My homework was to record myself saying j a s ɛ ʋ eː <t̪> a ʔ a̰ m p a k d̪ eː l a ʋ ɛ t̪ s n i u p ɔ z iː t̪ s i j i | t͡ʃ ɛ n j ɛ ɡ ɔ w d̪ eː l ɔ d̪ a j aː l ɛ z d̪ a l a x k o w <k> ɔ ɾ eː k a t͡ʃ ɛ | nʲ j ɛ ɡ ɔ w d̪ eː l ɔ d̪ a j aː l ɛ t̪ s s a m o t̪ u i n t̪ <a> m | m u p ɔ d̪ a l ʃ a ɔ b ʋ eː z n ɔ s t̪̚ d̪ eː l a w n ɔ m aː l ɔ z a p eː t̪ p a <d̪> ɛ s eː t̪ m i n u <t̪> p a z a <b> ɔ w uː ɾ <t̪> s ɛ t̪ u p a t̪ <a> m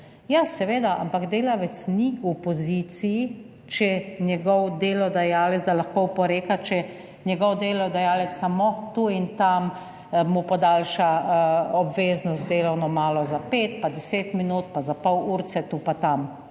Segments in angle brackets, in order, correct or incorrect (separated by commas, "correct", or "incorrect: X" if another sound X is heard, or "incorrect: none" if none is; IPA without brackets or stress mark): incorrect: d̪, incorrect: p, correct, correct, correct, incorrect: p, correct, correct